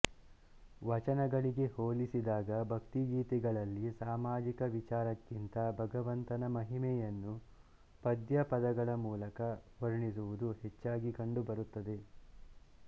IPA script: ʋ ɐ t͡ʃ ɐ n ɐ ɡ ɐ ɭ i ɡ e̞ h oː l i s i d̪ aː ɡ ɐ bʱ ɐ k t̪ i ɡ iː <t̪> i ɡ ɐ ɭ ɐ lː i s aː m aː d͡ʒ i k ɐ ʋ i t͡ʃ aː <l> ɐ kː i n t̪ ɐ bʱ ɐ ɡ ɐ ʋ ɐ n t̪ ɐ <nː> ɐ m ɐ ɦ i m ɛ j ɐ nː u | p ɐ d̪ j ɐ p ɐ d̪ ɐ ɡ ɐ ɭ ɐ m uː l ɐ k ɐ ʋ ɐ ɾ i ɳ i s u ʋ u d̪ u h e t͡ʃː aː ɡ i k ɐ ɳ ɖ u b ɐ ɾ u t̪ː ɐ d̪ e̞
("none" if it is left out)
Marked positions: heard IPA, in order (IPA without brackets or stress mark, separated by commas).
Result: t̪, ɾ, n